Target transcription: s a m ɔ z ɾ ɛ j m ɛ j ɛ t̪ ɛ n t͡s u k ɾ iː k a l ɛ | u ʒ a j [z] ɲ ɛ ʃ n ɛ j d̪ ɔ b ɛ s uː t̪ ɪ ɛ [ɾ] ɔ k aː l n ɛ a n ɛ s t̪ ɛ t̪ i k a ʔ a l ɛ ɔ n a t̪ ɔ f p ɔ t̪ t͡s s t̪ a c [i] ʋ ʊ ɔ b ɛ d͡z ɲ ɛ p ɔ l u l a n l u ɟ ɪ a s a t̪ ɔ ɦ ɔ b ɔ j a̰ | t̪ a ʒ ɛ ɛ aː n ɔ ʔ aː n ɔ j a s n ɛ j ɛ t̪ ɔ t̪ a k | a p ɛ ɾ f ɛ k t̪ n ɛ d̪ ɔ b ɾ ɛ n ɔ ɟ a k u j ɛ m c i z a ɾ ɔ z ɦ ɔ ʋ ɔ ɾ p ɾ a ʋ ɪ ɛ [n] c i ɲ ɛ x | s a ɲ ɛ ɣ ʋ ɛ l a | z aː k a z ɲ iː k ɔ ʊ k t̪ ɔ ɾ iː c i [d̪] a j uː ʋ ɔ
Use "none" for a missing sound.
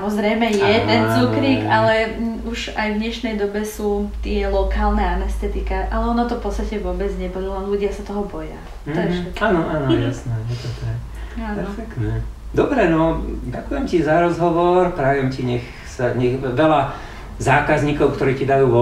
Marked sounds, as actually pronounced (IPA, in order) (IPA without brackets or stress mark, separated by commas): v, l, ɛ, m, d̪